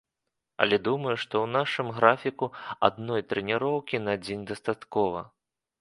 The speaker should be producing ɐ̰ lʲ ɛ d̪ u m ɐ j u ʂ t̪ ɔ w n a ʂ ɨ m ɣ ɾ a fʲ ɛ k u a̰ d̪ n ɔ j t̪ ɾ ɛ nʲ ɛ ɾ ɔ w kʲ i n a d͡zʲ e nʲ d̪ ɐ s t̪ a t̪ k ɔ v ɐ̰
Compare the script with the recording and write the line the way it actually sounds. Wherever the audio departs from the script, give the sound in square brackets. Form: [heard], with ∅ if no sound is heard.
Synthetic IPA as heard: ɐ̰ lʲ ɛ d̪ u m ɐ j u ʂ t̪ ɔ w n a ʂ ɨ m ɣ ɾ a fʲ [i] k u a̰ d̪ n ɔ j t̪ ɾ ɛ nʲ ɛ ɾ ɔ w kʲ i n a d͡zʲ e nʲ d̪ ɐ s t̪ a t̪ k ɔ v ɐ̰